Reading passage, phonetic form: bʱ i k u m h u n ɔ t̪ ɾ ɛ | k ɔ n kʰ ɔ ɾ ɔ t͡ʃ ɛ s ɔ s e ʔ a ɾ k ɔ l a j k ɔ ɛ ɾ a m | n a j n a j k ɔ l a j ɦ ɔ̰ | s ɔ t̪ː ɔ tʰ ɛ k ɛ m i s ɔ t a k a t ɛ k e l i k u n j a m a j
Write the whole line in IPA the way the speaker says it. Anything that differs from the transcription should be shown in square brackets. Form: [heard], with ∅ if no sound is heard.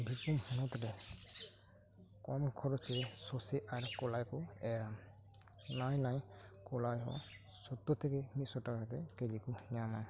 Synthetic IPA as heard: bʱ i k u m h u n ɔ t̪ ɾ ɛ | k ɔ [m] kʰ ɔ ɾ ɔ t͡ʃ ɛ s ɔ s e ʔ a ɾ k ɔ l a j k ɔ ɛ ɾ a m | n a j n a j k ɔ l a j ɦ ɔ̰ | s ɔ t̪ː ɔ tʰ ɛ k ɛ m i s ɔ t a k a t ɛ k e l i k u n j a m a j